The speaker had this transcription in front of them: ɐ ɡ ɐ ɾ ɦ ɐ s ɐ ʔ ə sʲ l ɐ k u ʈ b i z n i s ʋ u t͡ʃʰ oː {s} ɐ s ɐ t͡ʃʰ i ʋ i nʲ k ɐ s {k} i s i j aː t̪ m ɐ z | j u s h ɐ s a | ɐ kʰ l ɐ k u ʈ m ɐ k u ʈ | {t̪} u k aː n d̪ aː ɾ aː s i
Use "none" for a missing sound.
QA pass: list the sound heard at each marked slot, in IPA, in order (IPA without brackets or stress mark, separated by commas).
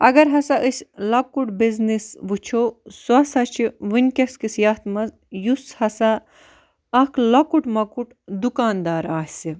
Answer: s, k, d̪